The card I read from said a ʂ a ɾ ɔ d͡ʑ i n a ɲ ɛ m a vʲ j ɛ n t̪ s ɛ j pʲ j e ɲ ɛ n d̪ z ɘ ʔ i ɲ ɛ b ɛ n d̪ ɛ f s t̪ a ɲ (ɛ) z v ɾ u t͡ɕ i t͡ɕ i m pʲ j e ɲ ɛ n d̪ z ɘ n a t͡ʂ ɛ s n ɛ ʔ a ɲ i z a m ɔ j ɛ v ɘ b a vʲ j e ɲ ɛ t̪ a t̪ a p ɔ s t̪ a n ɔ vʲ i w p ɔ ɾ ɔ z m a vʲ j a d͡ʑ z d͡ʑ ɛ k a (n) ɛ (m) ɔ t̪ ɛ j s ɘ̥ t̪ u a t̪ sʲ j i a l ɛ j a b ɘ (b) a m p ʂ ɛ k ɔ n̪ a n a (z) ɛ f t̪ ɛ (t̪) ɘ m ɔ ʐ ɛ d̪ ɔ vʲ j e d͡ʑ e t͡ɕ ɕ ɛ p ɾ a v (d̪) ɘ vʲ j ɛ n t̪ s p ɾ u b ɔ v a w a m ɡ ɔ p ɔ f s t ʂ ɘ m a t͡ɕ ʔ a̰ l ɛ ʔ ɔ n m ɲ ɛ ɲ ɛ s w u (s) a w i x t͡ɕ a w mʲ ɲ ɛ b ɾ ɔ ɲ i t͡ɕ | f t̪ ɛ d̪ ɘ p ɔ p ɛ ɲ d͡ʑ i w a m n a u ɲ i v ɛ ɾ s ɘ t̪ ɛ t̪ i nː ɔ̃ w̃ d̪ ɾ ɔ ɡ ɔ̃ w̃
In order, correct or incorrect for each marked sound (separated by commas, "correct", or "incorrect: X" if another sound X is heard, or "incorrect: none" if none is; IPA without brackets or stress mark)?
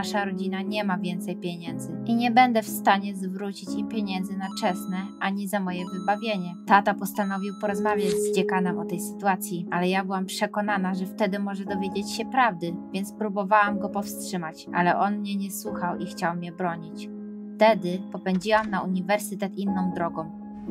correct, correct, correct, incorrect: w, incorrect: ʐ, incorrect: d̪, correct, incorrect: x